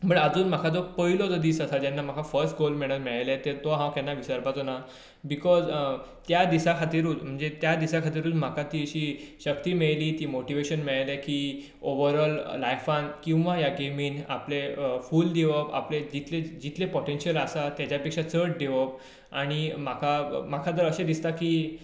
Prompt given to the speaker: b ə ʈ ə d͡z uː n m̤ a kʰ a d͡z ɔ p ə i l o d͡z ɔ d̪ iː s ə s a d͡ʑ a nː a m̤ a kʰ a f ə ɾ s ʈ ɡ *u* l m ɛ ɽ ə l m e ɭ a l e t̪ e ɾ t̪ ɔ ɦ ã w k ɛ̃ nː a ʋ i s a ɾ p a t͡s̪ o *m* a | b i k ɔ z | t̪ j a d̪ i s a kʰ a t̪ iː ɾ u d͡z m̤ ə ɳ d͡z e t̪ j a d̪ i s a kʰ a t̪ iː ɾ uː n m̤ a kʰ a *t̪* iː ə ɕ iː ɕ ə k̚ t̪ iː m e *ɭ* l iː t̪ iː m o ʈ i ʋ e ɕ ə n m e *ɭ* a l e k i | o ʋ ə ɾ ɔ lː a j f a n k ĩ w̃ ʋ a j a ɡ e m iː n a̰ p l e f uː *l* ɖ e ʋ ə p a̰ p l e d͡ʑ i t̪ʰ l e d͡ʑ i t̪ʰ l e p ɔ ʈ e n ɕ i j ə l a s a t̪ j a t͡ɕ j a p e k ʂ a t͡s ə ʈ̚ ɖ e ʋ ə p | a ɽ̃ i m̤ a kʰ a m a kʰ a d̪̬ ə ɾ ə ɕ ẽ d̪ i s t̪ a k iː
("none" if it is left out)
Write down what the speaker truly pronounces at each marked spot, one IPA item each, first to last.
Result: o, n, t̪, ɭ, ɭ, l

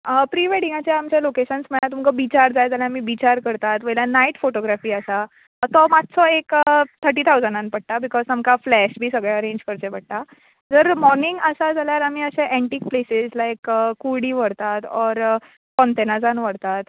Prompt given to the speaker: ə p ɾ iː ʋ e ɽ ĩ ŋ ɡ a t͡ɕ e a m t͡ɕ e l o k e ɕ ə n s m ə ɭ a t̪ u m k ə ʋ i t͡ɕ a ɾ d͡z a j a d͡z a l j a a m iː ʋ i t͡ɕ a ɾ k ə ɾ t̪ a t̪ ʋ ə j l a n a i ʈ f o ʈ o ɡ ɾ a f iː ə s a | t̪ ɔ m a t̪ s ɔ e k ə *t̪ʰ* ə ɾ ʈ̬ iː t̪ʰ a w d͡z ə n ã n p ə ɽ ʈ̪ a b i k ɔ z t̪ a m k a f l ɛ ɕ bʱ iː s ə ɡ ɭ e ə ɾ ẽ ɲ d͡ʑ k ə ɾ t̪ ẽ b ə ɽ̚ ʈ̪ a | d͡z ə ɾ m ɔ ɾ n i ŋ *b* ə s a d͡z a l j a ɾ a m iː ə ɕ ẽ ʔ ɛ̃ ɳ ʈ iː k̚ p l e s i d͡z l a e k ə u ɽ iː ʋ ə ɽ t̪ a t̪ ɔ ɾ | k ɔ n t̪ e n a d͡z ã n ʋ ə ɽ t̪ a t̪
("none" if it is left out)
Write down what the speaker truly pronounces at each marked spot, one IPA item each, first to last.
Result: t̪ʰ, ɡ

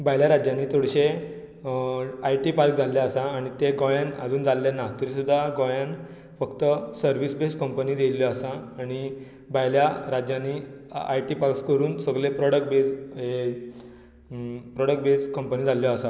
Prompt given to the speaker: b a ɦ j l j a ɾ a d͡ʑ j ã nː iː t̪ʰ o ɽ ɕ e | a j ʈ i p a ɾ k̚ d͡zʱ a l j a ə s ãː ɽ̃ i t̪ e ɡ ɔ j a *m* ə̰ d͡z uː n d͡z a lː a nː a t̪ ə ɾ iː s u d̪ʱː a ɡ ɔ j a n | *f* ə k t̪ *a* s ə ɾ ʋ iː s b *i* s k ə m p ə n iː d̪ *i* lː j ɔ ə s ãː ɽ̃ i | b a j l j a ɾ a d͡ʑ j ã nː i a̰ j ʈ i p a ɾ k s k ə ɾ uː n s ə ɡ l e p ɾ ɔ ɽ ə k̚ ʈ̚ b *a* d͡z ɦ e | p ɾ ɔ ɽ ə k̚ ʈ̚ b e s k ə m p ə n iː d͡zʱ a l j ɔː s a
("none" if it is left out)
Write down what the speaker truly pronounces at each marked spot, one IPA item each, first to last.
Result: n, f, ə, e, e, e

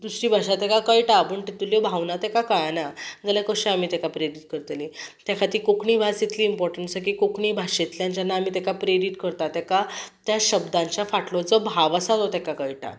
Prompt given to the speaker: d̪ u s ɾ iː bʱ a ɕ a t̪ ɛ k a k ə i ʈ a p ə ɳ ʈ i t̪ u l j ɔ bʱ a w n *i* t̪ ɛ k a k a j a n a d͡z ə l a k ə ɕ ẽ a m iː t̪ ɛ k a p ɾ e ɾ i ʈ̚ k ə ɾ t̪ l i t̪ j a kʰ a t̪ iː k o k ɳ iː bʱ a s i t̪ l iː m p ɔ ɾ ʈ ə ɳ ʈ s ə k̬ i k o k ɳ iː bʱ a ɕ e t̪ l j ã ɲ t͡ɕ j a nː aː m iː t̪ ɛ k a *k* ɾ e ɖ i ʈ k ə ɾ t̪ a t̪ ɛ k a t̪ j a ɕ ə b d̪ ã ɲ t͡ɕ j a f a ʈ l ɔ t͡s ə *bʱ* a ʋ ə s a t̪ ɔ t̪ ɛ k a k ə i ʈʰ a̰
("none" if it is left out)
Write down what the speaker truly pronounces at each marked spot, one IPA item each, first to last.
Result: a, p, bʱ

